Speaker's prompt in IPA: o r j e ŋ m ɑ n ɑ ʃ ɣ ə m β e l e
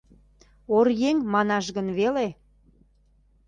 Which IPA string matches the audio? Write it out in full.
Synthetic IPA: o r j e ŋ m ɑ n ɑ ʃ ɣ ə n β e l e

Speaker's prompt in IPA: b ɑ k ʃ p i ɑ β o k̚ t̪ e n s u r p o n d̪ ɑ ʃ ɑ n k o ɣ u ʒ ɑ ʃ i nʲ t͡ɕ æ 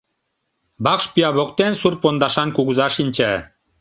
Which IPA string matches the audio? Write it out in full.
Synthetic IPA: b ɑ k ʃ p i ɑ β o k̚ t̪ e n s u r p o n d̪ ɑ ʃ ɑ n k u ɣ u z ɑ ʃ i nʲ t͡ɕ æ

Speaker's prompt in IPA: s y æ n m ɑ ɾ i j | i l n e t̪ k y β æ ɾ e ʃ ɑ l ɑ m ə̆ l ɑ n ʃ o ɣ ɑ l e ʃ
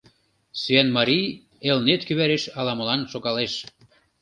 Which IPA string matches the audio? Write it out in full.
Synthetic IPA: s y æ n m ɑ ɾ i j | e l n e t̪ k y β æ ɾ e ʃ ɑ l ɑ m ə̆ l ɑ n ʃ o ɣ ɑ l e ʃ

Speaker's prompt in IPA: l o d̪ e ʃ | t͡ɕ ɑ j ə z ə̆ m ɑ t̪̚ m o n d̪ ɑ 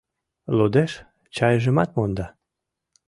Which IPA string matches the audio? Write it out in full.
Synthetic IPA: l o d̪ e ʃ | t͡ɕ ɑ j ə ʒ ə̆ m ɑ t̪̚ m o n d̪ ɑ

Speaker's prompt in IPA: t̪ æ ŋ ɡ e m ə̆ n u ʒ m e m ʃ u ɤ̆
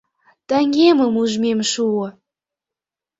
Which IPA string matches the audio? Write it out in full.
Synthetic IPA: t̪ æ ŋ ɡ e m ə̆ m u ʒ m e m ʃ u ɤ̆

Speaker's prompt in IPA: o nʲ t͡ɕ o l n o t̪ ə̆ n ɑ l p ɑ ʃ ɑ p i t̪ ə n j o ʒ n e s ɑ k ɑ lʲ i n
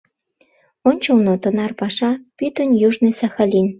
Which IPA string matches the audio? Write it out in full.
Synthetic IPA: o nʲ t͡ɕ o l n o t̪ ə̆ n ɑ r p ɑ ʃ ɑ p y t̪ ə n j u ʒ n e s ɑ x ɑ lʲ i n

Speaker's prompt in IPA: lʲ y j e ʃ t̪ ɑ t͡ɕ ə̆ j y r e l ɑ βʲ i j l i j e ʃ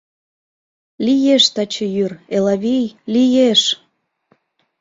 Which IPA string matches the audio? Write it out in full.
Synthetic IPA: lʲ i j e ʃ t̪ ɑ t͡ɕ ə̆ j y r e l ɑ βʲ i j l i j e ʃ

